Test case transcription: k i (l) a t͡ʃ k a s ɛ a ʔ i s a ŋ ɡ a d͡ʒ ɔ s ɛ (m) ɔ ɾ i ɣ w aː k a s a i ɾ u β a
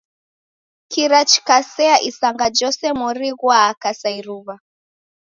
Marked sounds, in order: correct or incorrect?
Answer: incorrect: ɾ, correct

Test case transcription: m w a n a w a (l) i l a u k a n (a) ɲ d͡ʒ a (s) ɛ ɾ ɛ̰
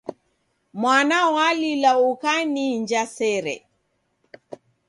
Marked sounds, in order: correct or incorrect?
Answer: correct, incorrect: i, correct

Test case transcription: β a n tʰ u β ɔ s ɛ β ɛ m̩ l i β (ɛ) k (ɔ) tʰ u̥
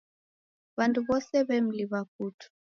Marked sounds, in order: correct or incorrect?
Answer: incorrect: a, incorrect: u

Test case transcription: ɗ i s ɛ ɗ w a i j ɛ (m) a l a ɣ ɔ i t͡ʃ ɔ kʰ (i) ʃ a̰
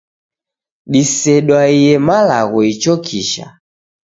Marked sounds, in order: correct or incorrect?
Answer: correct, correct

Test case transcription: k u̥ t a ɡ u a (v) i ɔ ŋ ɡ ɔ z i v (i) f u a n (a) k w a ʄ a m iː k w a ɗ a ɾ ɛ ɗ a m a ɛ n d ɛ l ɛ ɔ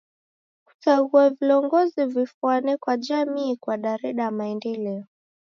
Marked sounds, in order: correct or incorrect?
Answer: correct, correct, incorrect: ɛ

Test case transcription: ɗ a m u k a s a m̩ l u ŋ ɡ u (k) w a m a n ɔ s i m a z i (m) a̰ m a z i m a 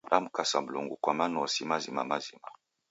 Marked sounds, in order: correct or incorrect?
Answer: correct, correct

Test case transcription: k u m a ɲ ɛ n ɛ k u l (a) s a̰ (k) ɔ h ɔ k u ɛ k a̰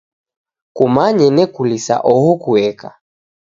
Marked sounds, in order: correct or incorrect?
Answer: incorrect: i, incorrect: ʔ

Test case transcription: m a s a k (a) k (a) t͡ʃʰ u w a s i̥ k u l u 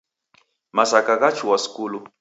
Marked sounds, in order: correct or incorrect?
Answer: correct, correct

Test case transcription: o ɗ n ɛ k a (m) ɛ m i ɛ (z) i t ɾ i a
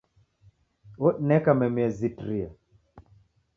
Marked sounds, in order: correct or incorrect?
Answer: correct, correct

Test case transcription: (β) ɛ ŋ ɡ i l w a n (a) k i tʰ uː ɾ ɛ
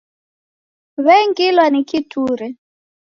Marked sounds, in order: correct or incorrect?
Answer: correct, incorrect: i

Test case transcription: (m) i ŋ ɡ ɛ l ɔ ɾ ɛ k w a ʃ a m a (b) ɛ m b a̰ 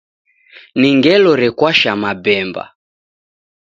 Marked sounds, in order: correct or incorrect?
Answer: incorrect: n, correct

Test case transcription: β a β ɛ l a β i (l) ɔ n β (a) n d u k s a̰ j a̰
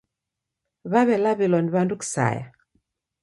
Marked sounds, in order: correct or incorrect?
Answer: correct, correct

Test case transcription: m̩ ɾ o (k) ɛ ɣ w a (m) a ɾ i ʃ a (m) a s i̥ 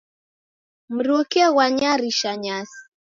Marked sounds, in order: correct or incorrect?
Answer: correct, incorrect: ɲ, incorrect: ɲ

